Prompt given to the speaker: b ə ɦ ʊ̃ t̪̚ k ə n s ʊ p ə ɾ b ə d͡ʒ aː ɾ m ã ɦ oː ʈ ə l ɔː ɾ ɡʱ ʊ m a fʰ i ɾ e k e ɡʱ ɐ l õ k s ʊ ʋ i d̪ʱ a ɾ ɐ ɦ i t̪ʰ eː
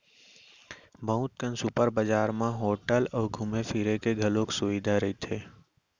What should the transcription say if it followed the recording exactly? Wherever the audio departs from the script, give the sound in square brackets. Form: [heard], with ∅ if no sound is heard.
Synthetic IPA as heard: b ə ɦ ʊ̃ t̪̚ k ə n s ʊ p ə ɾ b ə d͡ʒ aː ɾ m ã ɦ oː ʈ ə l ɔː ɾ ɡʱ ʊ m [e] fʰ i ɾ e k e ɡʱ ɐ l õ k s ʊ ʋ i d̪ʱ a ɾ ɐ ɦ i t̪ʰ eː